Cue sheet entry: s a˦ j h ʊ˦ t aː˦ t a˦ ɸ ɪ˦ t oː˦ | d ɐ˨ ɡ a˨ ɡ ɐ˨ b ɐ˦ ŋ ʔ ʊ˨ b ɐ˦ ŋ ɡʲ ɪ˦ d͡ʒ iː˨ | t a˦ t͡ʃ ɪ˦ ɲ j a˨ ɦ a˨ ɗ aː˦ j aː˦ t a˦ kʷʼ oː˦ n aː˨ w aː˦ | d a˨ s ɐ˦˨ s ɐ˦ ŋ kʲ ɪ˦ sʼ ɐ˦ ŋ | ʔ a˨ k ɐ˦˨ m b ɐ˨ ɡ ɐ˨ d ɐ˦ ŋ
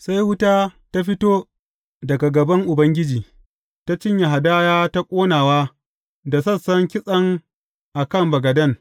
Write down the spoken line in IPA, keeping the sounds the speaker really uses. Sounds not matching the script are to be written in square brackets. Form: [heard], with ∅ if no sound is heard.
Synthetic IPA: s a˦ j h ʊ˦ t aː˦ t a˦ ɸ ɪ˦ t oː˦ | d ɐ˨ ɡ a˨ ɡ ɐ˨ b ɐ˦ ŋ ʔ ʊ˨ b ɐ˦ ŋ ɡʲ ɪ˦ d͡ʒ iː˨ | t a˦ t͡ʃ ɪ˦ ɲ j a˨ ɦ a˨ [d] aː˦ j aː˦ t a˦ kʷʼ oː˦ n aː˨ w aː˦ | d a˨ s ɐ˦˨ s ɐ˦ ŋ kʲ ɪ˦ sʼ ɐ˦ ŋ | ʔ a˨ k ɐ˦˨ m b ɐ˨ ɡ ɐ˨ d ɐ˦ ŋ

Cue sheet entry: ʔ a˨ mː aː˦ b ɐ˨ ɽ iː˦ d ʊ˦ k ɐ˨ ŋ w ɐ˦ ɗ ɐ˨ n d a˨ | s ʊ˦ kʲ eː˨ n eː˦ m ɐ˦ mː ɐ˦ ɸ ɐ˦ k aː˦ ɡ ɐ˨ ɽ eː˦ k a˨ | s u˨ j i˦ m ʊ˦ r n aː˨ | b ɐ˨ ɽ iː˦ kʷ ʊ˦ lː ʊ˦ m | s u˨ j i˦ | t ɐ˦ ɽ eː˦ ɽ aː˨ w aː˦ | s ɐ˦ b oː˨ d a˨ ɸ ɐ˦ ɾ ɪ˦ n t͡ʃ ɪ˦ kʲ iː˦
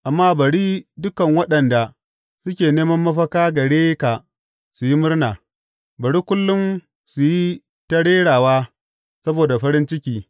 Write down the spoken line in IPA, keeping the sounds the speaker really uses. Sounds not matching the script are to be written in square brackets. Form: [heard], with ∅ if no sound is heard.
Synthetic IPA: ʔ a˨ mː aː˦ b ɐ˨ ɽ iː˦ d ʊ˦ k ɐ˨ ŋ w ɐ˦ ɗ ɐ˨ n d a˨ | s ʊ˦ kʲ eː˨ n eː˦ m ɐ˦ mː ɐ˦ ɸ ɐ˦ k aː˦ ɡ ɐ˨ ɽ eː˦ k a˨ | s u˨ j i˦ m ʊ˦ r n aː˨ | b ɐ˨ ɽ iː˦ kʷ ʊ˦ lː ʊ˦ m | s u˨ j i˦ | t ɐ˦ ɽ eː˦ ɽ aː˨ w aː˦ | s ɐ˦ b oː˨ d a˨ ɸ ɐ˦ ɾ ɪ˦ n t͡ʃ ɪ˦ kʲ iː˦

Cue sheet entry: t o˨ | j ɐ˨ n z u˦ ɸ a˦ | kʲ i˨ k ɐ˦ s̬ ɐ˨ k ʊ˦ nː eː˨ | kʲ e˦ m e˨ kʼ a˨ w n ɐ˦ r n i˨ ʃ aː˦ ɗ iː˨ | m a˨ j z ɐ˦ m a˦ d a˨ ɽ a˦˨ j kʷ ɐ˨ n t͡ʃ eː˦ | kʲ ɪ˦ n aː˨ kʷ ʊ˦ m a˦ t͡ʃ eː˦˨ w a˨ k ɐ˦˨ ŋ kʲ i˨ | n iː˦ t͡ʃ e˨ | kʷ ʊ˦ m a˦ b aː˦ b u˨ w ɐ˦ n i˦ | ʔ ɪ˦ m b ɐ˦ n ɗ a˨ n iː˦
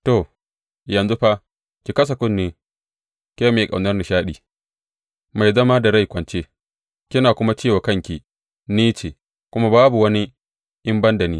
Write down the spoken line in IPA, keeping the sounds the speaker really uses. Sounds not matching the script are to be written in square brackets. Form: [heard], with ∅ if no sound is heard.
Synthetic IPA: t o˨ | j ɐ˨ n z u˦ ɸ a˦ | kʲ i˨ k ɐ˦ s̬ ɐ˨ k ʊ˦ nː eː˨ | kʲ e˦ m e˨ kʼ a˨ w n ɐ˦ r n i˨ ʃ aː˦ ɗ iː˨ | m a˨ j z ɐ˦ m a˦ d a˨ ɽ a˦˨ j kʷ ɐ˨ n t͡ʃ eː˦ | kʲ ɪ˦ n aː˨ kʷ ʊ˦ m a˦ t͡ʃ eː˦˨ w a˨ k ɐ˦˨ ŋ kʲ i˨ | n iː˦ t͡ʃ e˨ | kʷ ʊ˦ m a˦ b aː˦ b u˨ w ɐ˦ n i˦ | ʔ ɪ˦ m b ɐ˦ n [d] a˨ n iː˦

